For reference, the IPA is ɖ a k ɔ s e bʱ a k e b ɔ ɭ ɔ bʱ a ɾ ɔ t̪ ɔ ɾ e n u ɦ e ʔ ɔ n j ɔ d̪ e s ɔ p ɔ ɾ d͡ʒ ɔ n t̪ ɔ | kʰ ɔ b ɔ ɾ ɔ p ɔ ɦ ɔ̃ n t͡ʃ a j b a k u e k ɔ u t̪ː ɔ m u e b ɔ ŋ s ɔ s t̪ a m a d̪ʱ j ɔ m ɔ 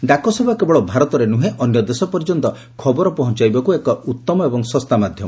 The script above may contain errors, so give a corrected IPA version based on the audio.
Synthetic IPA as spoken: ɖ a k ɔ s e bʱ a k e b ɔ ɭ ɔ bʱ a ɾ ɔ t̪ ɔ ɾ e n u ɦ e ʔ ɔ n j ɔ d̪ e s ɔ p ɔ ɾ d͡ʒ ɔ n t̪ ɔ | kʰ ɔ b ɔ ɾ ɔ p ɔ ɦ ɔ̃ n t͡ʃ a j b a k u e k ɔ u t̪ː ɔ m ɔ e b ɔ ŋ s ɔ s t̪ a m a d̪ʱ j ɔ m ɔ